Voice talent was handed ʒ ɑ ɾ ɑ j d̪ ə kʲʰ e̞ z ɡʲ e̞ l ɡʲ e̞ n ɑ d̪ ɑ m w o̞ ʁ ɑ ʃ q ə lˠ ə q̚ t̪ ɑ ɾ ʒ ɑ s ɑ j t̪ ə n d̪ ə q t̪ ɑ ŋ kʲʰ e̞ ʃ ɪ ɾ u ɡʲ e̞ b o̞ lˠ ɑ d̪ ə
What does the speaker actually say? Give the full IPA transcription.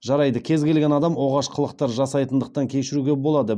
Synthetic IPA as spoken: ʒ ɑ ɾ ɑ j d̪ ə kʲʰ e̞ z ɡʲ e̞ l ɡʲ e̞ n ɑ d̪ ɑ m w o̞ ʁ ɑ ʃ qʰ ə lˠ ə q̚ t̪ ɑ ɾ ʒ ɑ s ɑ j t̪ ə n d̪ ə q t̪ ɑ ŋ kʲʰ e̞ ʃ ɪ ɾ u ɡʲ e̞ b o̞ lˠ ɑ d̪ ə